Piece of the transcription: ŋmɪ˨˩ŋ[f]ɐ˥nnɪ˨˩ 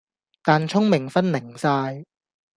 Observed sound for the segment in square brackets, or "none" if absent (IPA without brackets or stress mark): f